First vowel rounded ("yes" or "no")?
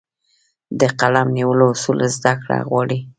no